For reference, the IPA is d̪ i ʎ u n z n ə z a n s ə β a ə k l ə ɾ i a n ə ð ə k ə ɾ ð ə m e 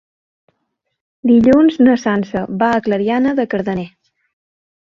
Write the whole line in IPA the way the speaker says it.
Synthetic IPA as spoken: d̪ i ʎ u n z n ə s a n s ə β a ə k l ə ɾ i a n ə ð ə k ə ɾ ð ə n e